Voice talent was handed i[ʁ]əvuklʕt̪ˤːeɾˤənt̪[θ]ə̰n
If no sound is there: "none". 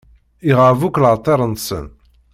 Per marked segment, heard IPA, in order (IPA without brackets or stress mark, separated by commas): ʁ, s